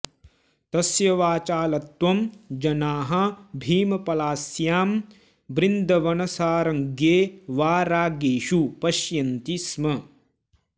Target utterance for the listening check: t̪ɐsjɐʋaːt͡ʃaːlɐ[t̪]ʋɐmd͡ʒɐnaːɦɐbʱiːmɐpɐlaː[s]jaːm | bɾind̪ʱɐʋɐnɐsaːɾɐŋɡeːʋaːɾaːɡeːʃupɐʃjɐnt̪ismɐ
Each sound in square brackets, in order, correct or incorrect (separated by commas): correct, correct